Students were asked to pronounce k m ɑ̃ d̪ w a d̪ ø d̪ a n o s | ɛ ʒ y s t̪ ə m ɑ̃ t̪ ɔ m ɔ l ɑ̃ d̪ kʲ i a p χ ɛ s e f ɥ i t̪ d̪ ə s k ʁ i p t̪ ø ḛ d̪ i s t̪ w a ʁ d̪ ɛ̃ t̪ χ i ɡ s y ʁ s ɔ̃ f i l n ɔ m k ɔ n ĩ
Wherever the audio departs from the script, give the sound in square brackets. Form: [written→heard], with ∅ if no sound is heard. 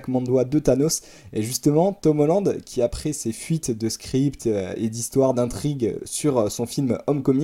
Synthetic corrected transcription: k m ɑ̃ d̪ w a d̪ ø [d̪→t̪] a n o s | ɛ ʒ y s t̪ ə m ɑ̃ t̪ ɔ m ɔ l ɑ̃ d̪ kʲ i a p χ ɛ s e f ɥ i t̪ d̪ ə s k [ʁ→χ] i p t̪ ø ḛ d̪ i s t̪ w a ʁ d̪ ɛ̃ t̪ χ i ɡ s y ʁ s ɔ̃ f i l [n→m] ɔ m k ɔ [n→m] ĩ